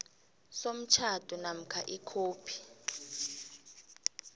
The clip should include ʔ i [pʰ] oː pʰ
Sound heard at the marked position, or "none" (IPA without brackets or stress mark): kʰ